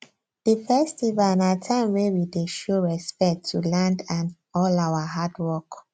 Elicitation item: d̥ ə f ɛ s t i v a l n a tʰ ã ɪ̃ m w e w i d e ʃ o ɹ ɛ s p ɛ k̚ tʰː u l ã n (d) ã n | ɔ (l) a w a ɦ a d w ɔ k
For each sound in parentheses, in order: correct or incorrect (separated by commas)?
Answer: correct, correct